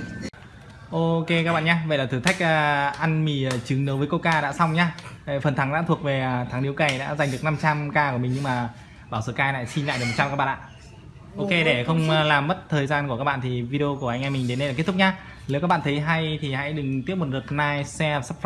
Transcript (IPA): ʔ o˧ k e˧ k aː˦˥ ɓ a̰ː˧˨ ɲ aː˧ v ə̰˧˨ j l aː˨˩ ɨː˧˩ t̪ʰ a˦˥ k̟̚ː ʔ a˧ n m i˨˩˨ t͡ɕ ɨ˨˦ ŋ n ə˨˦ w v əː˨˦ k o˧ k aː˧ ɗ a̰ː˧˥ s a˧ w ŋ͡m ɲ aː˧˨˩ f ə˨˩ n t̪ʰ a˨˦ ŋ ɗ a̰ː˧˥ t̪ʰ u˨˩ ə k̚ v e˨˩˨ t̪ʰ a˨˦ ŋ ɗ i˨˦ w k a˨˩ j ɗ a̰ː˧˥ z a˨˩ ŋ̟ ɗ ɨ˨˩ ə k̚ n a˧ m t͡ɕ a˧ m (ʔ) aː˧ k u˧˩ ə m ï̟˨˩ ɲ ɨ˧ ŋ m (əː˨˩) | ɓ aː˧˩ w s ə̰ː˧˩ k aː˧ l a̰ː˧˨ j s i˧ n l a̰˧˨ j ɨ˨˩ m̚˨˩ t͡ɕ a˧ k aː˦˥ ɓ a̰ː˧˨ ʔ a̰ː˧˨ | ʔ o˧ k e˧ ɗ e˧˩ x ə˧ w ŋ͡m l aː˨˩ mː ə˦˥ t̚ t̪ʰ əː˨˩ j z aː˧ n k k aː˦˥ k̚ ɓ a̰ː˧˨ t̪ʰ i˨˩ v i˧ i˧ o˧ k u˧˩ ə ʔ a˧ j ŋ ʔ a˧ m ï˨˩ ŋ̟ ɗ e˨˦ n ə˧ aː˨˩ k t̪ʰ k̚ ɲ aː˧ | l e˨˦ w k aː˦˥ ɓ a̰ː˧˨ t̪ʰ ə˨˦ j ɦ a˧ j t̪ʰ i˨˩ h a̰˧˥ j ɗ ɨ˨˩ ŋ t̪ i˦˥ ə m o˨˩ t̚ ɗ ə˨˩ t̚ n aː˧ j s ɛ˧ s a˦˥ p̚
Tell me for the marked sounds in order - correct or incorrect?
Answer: incorrect, incorrect

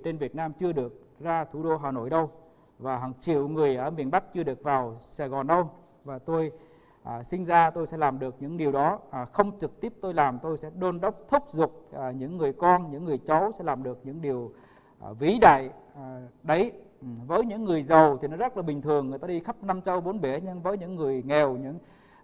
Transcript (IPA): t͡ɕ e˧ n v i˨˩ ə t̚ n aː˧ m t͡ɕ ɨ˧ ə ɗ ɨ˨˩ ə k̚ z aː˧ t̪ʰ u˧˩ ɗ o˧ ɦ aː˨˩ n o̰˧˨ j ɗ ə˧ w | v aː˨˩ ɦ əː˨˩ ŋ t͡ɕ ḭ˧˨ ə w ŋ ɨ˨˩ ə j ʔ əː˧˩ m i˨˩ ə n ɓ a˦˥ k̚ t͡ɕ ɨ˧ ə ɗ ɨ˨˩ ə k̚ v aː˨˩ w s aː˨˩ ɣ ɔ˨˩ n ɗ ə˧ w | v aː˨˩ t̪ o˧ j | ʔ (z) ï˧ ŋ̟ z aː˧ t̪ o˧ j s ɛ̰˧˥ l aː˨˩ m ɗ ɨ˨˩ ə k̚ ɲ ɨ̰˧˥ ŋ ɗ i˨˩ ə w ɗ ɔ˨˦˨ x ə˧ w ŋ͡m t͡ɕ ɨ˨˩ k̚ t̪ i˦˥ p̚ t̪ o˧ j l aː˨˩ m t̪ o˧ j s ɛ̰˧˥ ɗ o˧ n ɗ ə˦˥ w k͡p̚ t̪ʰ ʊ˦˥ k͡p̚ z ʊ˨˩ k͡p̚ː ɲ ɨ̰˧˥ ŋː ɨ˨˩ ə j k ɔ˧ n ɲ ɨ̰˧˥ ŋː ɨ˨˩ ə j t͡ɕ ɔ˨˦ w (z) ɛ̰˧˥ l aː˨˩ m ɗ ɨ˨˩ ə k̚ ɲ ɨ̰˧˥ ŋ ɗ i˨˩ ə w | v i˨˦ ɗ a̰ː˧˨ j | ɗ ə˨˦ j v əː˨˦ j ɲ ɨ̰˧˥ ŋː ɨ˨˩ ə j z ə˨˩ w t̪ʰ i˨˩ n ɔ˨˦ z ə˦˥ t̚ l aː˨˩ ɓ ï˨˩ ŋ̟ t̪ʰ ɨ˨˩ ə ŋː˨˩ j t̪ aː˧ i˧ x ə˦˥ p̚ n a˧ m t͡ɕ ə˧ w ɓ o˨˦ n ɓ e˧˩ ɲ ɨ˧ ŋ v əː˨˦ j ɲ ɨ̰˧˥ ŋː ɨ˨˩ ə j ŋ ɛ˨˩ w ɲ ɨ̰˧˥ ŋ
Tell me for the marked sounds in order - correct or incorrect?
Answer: incorrect, incorrect

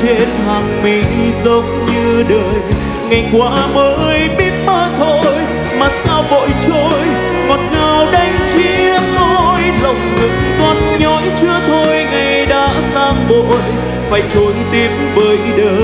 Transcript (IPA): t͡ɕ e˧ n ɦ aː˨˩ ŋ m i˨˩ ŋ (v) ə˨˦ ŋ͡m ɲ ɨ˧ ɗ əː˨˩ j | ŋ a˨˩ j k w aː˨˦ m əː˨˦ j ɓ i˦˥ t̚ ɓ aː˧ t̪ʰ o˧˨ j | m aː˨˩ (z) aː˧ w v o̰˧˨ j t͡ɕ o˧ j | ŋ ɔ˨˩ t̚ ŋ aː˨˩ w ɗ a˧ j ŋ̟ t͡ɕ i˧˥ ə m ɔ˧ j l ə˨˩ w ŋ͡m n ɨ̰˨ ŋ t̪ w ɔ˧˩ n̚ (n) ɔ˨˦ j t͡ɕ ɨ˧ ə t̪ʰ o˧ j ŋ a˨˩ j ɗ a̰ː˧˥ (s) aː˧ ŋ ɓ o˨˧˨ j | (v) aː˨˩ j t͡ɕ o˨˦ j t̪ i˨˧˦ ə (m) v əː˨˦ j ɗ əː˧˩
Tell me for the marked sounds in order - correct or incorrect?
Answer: incorrect, incorrect, incorrect, correct, incorrect, correct

